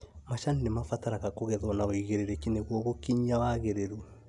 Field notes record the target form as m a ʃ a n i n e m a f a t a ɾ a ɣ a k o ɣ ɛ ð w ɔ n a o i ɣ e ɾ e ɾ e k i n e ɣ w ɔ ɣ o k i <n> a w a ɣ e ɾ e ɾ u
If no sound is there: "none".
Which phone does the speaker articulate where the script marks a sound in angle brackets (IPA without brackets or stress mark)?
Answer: ɲ